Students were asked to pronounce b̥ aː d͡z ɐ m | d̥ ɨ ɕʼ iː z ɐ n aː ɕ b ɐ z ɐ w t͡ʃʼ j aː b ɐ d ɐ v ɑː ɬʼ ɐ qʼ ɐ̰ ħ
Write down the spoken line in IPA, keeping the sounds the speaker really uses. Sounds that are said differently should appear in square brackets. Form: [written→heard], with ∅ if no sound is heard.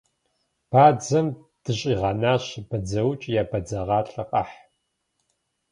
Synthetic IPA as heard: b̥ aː d͡z ɐ m | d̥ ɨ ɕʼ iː [z→ʁ] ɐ n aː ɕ b ɐ [z→d͡z] ɐ w t͡ʃʼ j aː b ɐ [d→d͡z] ɐ [v→ʁ] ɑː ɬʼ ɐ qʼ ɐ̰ ħ